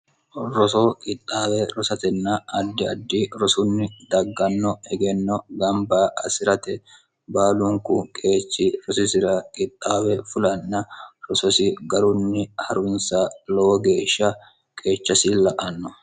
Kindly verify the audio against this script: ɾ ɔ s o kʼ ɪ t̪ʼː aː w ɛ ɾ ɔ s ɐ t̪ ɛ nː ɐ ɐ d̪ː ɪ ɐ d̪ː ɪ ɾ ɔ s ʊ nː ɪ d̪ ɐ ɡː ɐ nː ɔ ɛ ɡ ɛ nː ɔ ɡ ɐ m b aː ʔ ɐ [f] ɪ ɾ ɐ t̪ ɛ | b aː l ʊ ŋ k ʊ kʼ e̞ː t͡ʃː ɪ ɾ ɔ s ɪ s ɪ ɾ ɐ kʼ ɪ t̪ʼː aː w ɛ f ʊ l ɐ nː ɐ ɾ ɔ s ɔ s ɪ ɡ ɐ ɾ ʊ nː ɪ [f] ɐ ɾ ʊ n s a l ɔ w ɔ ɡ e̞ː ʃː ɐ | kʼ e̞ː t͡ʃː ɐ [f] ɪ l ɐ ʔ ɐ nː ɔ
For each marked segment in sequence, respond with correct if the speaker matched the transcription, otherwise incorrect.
incorrect: s, incorrect: h, incorrect: s

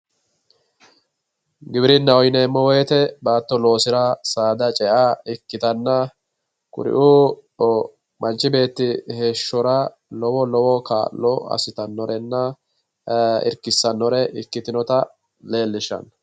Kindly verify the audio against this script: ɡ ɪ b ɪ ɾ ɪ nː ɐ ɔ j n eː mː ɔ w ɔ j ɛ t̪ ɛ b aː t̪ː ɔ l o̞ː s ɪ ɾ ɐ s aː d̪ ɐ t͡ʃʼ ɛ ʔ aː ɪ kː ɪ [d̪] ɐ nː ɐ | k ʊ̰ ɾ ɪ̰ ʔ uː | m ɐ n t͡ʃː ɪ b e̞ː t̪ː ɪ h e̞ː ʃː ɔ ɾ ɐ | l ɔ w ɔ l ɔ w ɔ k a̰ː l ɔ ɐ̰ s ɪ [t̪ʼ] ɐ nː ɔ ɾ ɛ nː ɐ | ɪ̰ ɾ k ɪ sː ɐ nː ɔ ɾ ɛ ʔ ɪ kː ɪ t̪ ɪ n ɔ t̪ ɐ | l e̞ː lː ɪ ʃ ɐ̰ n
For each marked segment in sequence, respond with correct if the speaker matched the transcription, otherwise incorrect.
incorrect: t̪, incorrect: t̪

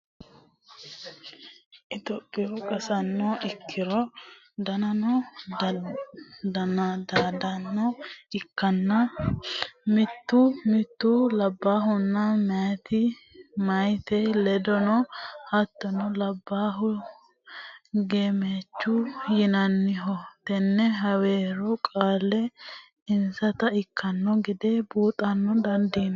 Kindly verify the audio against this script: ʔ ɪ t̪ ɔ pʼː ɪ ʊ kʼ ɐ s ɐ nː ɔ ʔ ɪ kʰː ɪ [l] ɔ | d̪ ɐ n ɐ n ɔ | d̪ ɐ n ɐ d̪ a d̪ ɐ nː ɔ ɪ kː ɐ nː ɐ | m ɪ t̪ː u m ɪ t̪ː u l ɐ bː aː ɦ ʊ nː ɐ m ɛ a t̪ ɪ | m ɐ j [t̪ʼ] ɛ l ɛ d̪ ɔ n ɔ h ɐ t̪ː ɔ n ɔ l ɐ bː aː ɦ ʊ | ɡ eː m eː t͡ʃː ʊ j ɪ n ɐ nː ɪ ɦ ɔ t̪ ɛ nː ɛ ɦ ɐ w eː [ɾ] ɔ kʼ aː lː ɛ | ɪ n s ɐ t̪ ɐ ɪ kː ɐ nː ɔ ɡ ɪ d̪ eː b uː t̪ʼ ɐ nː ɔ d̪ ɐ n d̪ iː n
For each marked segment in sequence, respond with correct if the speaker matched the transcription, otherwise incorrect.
incorrect: ɾ, incorrect: t̪, correct

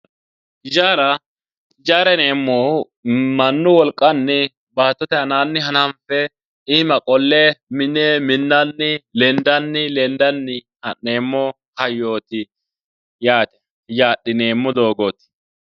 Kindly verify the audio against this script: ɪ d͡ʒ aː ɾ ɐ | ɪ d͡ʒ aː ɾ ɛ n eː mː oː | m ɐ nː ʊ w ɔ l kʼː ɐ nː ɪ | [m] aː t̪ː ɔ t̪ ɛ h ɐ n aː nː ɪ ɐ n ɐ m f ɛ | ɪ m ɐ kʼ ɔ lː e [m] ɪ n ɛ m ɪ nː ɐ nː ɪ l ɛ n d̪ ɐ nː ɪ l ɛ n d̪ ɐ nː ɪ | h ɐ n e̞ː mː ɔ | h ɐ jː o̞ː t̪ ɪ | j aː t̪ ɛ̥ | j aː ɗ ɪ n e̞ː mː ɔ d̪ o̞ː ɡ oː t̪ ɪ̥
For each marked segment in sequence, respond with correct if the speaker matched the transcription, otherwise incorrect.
incorrect: b, correct

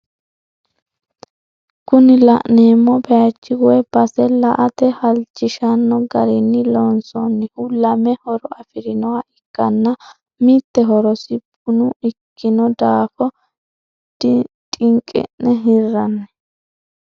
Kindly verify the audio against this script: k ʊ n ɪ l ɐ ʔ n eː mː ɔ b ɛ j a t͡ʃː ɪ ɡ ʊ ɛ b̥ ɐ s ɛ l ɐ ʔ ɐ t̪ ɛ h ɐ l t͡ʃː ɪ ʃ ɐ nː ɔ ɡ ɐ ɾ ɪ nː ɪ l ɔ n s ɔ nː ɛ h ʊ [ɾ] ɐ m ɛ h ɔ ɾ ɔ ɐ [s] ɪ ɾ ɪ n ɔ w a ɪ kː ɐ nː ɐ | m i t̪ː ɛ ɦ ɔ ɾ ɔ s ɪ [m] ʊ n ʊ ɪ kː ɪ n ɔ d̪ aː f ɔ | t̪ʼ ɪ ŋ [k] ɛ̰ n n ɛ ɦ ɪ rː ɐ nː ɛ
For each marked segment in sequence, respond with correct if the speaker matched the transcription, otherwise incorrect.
incorrect: l, incorrect: f, incorrect: b, incorrect: kʼ

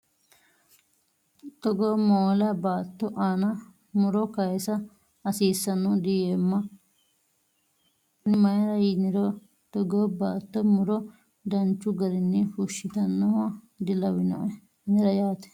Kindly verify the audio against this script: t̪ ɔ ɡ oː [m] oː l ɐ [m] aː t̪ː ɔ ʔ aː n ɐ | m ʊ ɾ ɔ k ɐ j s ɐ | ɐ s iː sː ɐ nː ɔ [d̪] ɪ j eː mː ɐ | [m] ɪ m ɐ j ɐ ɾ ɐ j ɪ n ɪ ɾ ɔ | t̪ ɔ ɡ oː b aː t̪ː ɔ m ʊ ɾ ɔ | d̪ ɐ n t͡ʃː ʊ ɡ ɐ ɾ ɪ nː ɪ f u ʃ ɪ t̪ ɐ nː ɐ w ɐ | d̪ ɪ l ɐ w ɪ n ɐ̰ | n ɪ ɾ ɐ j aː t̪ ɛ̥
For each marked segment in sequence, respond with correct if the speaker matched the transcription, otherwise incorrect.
correct, incorrect: b, correct, incorrect: n

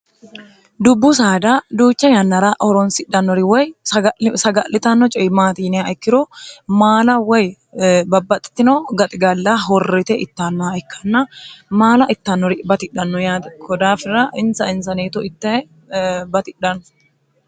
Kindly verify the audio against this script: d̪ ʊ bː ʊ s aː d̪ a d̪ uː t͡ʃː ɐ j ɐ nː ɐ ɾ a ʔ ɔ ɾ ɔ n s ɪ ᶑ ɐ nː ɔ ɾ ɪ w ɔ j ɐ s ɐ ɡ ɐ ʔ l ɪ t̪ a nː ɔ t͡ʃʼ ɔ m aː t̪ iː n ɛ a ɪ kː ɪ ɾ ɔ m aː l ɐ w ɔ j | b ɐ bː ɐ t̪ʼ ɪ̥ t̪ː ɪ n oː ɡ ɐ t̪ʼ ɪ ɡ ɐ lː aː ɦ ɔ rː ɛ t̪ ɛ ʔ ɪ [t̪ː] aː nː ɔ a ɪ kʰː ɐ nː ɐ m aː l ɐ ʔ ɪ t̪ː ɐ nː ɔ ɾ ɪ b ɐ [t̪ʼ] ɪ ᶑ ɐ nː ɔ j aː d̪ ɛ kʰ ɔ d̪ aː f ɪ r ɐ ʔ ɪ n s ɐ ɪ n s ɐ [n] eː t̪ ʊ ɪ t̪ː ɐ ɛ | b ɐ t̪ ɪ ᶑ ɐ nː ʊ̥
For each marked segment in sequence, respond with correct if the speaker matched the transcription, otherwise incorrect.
correct, incorrect: t̪, correct

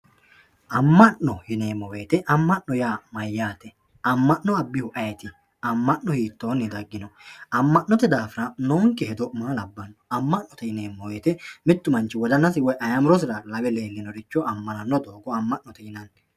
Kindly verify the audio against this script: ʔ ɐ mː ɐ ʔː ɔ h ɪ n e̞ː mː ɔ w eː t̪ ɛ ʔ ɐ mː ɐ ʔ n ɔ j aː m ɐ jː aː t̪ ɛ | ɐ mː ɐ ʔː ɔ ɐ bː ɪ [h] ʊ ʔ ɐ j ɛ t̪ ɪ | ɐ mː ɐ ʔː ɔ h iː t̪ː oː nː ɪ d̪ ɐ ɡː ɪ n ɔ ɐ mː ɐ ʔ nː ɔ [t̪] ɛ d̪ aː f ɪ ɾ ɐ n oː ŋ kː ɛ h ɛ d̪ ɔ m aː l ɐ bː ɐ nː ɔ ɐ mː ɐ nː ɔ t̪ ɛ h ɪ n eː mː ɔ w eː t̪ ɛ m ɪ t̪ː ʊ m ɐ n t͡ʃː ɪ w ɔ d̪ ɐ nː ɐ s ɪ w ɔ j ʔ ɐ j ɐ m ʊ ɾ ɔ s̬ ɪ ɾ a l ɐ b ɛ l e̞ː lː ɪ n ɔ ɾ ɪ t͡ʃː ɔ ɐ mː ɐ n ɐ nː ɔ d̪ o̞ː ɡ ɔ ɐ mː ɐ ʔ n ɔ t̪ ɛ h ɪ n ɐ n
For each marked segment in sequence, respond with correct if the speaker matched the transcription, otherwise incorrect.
correct, correct

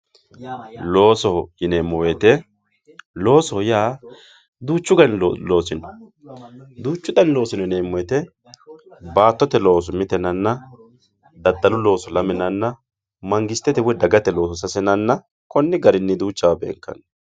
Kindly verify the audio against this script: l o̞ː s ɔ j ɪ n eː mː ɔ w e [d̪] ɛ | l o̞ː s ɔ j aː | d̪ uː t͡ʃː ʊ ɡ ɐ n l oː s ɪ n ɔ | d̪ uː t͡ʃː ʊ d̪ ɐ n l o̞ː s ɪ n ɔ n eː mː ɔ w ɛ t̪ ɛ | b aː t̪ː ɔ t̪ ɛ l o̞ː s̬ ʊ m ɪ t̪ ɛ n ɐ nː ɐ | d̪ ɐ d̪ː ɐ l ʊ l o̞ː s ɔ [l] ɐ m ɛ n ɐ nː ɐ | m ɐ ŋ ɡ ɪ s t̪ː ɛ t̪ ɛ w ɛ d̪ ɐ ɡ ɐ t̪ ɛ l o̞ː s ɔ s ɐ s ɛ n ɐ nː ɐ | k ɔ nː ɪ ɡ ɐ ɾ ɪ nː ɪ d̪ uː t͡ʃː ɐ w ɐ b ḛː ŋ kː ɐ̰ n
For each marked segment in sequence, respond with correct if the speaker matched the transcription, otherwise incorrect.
incorrect: t̪, correct

